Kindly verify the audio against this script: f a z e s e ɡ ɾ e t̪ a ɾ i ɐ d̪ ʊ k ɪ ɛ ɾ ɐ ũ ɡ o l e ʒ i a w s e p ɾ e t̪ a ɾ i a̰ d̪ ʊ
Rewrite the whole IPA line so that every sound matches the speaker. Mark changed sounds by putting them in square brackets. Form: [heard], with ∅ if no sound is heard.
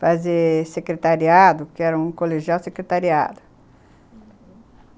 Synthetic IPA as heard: f a z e s e [k] ɾ e t̪ a ɾ i [a] d̪ ʊ k ɪ ɛ ɾ ɐ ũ [k] o l e ʒ i a w s e [k] ɾ e t̪ a ɾ i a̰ d̪ ʊ

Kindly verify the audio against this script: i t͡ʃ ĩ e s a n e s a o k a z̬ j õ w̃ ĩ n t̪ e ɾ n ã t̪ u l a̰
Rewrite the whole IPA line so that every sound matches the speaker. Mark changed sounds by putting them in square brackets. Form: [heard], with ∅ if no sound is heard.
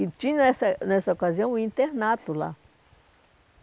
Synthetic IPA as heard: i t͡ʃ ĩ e s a n e s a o k a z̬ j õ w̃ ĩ n t̪ e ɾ n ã t̪ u l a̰

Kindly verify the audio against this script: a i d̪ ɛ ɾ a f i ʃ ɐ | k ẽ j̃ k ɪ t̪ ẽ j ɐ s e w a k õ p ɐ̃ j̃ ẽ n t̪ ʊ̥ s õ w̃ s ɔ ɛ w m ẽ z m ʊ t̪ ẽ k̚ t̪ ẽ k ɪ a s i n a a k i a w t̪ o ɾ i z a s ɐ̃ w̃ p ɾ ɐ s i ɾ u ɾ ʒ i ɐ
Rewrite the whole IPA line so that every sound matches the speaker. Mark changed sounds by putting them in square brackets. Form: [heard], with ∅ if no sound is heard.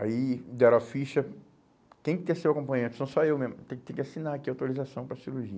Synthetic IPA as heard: a i d̪ ɛ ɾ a f i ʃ ɐ | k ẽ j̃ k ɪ t̪ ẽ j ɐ s e w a k õ p ɐ̃ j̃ ẽ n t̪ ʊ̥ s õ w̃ s ɔ [e] w m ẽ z m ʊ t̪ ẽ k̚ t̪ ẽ k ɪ a s i n a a k i a w t̪ o ɾ i z a s ɐ̃ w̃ p ɾ ɐ s i ɾ u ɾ ʒ i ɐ

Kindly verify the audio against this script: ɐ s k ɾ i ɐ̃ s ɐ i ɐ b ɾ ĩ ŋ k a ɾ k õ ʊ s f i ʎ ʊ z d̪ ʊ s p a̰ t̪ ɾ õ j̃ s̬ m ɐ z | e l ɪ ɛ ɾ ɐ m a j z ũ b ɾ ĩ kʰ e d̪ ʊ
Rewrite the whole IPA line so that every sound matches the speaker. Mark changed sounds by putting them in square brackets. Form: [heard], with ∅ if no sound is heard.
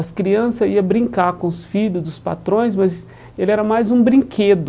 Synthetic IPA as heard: ɐ s k ɾ i ɐ̃ s ɐ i ɐ b ɾ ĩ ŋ k a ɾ k õ ʊ s f i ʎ ʊ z d̪ ʊ s p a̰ t̪ ɾ õ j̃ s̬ m ɐ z | e l ɪ ɛ ɾ ɐ m a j z ũ b ɾ ĩ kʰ e d̪ ʊ

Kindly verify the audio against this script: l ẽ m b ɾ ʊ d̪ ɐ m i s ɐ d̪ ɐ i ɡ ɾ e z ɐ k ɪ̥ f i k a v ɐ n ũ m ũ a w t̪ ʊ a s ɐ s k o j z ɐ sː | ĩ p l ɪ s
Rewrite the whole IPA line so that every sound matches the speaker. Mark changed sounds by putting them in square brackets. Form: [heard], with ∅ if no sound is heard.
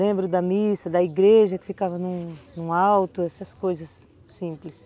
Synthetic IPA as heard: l ẽ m b ɾ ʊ d̪ ɐ m i s ɐ d̪ ɐ i ɡ ɾ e [ʒ] ɐ k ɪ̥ f i k a v ɐ n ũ [n] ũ a w t̪ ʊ [ɛ] s ɐ s k o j z ɐ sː | ĩ p l ɪ s

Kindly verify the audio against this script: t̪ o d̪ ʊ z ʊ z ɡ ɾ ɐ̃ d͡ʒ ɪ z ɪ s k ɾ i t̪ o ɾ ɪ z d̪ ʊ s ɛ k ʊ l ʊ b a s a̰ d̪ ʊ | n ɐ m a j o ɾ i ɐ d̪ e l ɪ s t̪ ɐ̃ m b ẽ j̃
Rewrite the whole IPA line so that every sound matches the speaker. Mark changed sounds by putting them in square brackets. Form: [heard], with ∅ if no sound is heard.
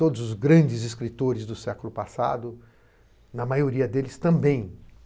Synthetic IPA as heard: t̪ o d̪ ʊ z ʊ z ɡ ɾ ɐ̃ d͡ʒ ɪ z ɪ s k ɾ i t̪ o ɾ ɪ z d̪ ʊ s ɛ k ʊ l ʊ [p] a s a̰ d̪ ʊ | n ɐ m a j o ɾ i ɐ d̪ e l ɪ s t̪ ɐ̃ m b ẽ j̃

